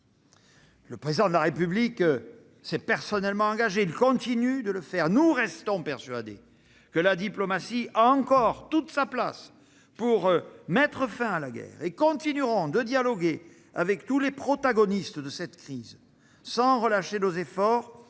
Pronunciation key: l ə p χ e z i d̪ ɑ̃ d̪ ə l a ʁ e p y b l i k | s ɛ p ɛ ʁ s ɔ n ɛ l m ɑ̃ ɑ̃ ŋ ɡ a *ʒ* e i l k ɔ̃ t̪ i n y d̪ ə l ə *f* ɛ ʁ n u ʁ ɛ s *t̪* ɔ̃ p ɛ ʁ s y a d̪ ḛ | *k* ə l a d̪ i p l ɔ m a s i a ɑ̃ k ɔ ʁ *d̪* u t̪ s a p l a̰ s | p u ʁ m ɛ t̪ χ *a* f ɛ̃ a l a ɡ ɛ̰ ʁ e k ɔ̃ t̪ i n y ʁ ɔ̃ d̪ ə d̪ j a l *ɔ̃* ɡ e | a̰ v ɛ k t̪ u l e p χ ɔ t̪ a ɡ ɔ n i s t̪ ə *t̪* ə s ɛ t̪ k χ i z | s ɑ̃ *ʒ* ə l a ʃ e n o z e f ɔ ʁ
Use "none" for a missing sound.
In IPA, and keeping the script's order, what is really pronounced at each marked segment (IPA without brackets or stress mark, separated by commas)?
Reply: ʒ, f, t̪, k, t̪, ə, ɔ, d̪, ʁ